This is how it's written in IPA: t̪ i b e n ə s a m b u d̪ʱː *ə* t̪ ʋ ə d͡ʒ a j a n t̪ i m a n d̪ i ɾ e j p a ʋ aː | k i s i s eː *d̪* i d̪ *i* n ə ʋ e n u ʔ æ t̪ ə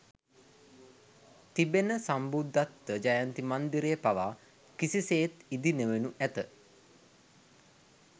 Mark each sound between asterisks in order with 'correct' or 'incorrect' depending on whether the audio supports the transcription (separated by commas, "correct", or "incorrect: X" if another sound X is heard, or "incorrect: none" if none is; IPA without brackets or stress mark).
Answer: incorrect: a, incorrect: t̪, correct